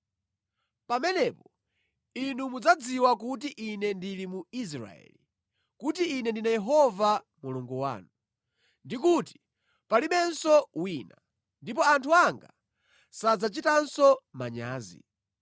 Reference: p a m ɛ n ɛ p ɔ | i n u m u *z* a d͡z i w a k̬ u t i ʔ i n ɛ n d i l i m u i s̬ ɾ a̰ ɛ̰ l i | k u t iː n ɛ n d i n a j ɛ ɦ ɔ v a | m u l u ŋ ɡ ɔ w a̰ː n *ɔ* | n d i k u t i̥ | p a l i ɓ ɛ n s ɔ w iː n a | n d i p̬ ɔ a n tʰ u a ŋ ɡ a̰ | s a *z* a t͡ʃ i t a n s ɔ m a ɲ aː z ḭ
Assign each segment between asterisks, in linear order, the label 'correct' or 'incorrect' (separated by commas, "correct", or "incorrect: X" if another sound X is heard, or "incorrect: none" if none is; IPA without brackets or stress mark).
incorrect: d͡z, incorrect: u, incorrect: d͡z